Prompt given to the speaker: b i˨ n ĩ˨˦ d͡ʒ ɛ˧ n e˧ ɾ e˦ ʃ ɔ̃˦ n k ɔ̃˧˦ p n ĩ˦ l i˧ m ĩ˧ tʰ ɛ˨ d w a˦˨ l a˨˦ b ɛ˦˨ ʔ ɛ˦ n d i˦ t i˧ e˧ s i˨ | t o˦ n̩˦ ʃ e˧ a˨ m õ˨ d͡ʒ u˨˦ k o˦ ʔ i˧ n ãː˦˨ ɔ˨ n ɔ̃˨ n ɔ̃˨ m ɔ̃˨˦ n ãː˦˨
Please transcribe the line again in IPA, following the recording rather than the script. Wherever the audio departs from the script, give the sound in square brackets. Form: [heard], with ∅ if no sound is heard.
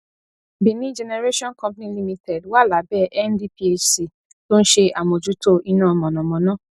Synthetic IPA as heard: b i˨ n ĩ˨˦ d͡ʒ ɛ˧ n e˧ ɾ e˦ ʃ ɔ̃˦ n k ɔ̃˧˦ p n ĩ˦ l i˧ m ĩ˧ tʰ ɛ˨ d w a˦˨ l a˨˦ b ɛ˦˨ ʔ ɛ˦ n d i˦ [p] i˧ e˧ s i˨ | t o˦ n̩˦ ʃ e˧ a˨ m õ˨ d͡ʒ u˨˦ [t] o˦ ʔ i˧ n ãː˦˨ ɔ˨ [m] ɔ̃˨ n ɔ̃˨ m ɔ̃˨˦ n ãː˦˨